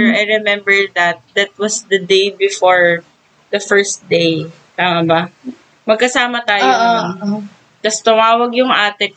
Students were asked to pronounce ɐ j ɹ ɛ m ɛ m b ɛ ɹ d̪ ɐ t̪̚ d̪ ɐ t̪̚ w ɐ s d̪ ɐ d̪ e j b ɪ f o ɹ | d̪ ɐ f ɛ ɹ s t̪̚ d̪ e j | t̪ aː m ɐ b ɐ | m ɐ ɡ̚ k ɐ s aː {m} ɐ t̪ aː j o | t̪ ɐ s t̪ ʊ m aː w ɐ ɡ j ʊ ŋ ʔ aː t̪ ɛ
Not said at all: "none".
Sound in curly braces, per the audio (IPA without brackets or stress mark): m